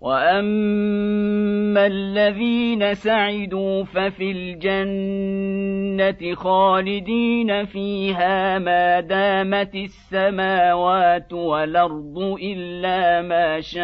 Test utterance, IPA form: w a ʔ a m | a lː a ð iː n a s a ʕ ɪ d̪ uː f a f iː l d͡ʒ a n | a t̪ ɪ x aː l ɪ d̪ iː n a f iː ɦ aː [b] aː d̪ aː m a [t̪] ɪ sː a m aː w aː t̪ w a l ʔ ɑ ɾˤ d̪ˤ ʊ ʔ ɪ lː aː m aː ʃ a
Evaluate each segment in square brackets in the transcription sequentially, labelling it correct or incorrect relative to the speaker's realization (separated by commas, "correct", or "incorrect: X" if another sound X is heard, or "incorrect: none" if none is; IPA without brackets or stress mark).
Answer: incorrect: m, correct